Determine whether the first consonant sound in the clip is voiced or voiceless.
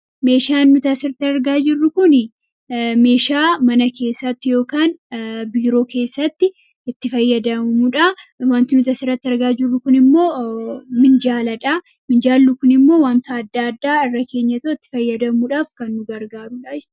voiced